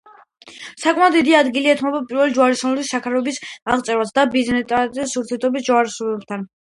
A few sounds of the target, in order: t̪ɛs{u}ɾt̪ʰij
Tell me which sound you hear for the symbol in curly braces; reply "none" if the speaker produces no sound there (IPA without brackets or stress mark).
u